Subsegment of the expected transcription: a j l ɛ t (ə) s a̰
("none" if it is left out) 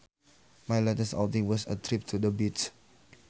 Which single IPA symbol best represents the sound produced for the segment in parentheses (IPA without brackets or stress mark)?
ə